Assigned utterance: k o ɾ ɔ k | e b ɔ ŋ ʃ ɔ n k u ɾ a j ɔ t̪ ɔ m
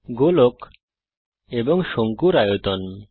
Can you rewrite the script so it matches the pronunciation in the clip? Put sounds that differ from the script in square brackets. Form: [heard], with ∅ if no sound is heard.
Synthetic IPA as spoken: [ɡ] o [l] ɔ k | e b ɔ ŋ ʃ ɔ [ŋ] k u ɾ a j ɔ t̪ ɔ [n]